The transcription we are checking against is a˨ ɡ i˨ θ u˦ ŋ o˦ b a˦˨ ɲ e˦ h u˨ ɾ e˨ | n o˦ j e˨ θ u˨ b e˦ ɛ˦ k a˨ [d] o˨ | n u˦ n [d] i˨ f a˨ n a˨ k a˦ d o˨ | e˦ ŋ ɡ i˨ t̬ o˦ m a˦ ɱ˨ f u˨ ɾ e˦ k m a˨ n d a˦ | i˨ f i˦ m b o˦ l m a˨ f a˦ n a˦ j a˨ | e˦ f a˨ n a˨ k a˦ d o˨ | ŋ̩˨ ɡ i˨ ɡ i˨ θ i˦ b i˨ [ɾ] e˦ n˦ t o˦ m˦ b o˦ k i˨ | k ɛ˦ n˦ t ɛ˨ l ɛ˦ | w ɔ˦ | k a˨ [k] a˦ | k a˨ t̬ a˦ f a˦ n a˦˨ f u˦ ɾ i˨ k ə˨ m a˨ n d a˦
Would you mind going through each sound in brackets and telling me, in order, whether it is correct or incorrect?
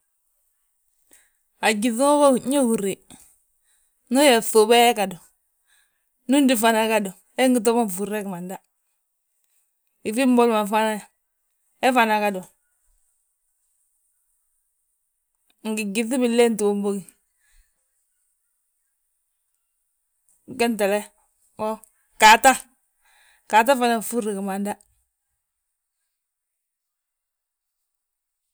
correct, correct, incorrect, incorrect

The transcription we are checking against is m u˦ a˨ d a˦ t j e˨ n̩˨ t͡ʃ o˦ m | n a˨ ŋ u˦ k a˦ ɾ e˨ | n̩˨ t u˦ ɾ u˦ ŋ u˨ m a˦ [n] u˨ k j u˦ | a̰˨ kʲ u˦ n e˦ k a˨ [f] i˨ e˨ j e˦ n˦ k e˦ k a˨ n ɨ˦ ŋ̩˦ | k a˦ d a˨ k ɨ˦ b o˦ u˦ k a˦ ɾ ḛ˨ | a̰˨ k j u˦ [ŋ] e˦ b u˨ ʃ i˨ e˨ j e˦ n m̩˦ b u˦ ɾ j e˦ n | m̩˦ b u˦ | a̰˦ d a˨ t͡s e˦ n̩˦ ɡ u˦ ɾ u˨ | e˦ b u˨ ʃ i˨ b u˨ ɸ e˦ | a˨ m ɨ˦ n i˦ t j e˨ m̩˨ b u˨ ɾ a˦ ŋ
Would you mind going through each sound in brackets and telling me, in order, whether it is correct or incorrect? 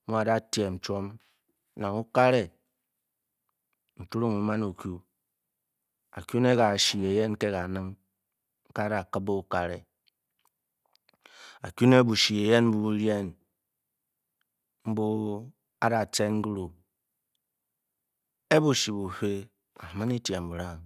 correct, incorrect, incorrect

